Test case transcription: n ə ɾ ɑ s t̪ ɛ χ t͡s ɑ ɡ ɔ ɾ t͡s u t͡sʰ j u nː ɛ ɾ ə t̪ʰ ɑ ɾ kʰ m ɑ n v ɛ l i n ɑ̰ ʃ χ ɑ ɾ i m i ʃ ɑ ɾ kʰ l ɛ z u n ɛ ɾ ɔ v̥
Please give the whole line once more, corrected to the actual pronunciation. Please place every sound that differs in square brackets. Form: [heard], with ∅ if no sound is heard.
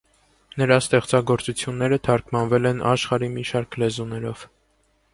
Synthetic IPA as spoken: n ə ɾ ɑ s t̪ ɛ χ t͡s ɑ ɡ ɔ ɾ t͡s u t͡sʰ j u nː ɛ ɾ ə t̪ʰ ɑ ɾ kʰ m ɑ n v ɛ l [ɛ] n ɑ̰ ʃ χ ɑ ɾ i m i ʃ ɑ ɾ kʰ l ɛ z u n ɛ ɾ ɔ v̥

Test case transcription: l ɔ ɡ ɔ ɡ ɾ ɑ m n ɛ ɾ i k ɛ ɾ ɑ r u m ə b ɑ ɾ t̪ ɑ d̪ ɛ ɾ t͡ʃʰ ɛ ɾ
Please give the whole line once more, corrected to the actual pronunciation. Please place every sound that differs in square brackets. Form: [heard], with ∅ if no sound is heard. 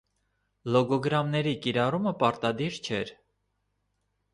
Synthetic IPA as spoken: l ɔ ɡ ɔ ɡ ɾ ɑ m n ɛ ɾ i k [i] ɾ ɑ r u m ə [p] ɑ ɾ t̪ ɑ d̪ [i] ɾ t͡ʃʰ ɛ ɾ

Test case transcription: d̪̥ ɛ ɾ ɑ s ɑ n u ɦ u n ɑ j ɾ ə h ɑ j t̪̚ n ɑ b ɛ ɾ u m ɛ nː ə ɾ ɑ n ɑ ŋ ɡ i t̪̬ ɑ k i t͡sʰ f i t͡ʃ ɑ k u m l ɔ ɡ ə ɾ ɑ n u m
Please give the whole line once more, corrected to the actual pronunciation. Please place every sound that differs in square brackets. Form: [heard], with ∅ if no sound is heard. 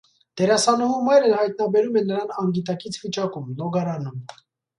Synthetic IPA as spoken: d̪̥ ɛ ɾ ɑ s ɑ n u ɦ u [m] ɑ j ɾ ə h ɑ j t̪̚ n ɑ b ɛ ɾ u m ɛ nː ə ɾ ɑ n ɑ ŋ ɡ i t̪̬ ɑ k i t͡sʰ [v] i t͡ʃ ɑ k u m l ɔ ɡ [ɑ] ɾ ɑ n u m

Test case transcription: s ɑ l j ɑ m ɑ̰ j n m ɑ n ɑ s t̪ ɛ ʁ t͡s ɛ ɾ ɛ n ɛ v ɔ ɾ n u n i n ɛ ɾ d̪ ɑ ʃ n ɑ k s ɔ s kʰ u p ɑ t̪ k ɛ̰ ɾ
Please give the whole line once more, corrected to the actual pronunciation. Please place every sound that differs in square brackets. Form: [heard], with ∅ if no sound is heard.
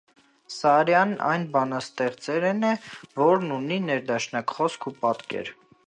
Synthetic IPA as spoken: s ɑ [ɾ] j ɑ [n] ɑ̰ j n [b] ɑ n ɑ s t̪ ɛ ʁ t͡s ɛ ɾ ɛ n ɛ v ɔ ɾ n u n i n ɛ ɾ d̪ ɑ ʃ n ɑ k [χ] ɔ s kʰ u p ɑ t̪ k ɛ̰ ɾ

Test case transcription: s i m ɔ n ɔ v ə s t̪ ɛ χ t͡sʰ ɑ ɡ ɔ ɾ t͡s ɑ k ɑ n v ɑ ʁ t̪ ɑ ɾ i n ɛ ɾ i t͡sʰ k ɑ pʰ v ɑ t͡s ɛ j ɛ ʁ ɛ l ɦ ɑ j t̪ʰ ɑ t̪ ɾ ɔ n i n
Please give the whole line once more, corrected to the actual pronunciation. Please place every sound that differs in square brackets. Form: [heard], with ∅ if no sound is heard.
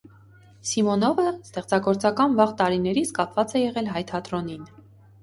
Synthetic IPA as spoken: s i m ɔ n ɔ v ə s t̪ ɛ χ [t͡s] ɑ ɡ ɔ ɾ t͡s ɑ k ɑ n v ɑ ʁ t̪ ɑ ɾ i n ɛ ɾ i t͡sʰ k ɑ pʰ v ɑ t͡s ɛ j ɛ ʁ ɛ l ɦ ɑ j t̪ʰ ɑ t̪ ɾ ɔ n i n

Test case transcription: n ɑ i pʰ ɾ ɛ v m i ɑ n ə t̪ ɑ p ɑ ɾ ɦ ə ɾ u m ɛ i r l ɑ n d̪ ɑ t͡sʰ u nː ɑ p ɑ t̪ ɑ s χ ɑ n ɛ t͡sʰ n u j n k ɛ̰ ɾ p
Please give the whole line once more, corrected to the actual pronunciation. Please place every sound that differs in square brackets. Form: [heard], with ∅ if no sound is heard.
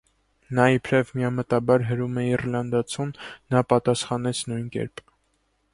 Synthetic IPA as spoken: n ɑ i pʰ ɾ ɛ v m i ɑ [m] ə t̪ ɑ [b] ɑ ɾ ɦ ə ɾ u m ɛ i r l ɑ n d̪ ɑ t͡sʰ u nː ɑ p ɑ t̪ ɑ s χ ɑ n ɛ t͡sʰ n u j n k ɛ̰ ɾ p

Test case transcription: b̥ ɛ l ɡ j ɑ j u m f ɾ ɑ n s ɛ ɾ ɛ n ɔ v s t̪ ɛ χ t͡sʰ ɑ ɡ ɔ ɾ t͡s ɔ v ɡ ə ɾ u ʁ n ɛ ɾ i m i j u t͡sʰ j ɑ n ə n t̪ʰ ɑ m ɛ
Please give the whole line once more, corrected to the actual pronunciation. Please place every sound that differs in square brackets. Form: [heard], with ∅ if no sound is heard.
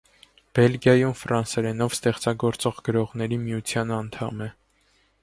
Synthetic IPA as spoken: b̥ ɛ l ɡ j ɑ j u m f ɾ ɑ n s ɛ ɾ ɛ n ɔ v s t̪ ɛ χ [t͡s] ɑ ɡ ɔ ɾ t͡s ɔ [ʁ] ɡ ə ɾ [ɔ] ʁ n ɛ ɾ i m i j u t͡sʰ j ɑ n [ɑ] n t̪ʰ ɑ m ɛ

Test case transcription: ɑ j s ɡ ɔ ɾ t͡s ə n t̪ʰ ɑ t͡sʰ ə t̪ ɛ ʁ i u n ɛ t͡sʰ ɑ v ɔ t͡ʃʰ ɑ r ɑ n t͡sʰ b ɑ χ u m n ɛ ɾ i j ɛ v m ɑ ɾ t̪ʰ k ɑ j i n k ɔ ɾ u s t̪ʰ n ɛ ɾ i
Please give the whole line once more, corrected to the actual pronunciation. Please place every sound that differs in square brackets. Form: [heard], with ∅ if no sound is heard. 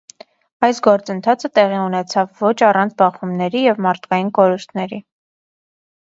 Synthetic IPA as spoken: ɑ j s ɡ ɔ ɾ t͡s ə n t̪ʰ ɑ t͡sʰ ə t̪ ɛ ʁ i u n ɛ t͡sʰ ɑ [vː] ɔ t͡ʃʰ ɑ r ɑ n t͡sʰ b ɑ χ u m n ɛ ɾ i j ɛ v m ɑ ɾ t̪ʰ k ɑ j i n k ɔ ɾ u s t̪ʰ n ɛ ɾ i

